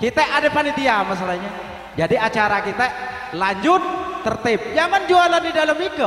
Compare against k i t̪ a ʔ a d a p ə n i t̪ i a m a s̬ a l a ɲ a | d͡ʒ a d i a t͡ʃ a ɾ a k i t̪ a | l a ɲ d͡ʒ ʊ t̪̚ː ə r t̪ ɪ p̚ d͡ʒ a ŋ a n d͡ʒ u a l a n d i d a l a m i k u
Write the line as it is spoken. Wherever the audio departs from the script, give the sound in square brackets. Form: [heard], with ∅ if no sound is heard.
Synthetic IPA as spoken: k i t̪ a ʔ a d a p [a] n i t̪ i a m a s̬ a l a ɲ a | d͡ʒ a d i a t͡ʃ a ɾ a k i t̪ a | l a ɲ d͡ʒ ʊ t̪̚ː ə r t̪ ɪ p̚ d͡ʒ a ŋ a n d͡ʒ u a l a n d i d a l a m i k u

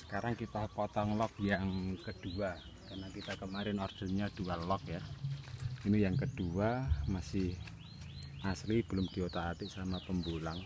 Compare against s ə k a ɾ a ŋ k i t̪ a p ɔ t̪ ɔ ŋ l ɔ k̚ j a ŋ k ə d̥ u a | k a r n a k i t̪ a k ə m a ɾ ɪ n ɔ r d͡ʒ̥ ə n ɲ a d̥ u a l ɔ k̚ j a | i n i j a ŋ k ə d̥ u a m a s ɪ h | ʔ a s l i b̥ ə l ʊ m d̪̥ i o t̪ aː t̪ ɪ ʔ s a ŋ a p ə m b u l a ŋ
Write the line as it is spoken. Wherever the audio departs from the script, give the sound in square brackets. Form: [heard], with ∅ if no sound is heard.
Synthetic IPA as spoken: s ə k a ɾ a ŋ k i t̪ a p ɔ t̪ ɔ ŋ l ɔ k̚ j a ŋ k ə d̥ u a | k a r n a k i t̪ a k ə m a ɾ ɪ n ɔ r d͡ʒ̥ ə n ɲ a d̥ u a l ɔ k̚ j a | i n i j a ŋ k ə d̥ u a m a s ɪ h | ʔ a s l i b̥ ə l ʊ m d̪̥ i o t̪ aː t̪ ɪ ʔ s a [m] a p ə m b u l a ŋ

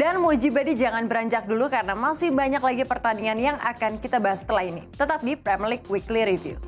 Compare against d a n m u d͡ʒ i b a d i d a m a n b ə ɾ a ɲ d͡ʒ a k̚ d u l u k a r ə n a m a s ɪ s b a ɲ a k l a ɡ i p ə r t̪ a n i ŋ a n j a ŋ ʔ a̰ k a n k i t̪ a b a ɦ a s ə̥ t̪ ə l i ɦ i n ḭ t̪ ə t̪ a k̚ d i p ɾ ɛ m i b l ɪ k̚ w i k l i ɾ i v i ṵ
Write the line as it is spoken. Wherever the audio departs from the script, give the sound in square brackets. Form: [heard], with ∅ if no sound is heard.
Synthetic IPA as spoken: d a n m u d͡ʒ i b a d i [d͡ʒ] a [ŋ] a n b ə ɾ a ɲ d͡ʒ a k̚ d u l u k a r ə n a m a s ɪ [h] b a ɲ a k l a ɡ i p ə r t̪ a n i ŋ a n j a ŋ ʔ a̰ k a n k i t̪ a b a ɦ a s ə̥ t̪ ə l [a] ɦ i n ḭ t̪ ə t̪ a [p̚] d i p ɾ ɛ m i [∅] l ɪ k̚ w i k l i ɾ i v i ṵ

